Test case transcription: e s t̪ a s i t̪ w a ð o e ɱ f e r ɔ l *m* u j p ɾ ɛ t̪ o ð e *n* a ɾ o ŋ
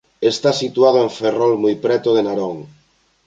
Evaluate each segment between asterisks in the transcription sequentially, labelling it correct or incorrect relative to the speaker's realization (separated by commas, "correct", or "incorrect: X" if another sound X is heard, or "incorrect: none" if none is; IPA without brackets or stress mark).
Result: correct, correct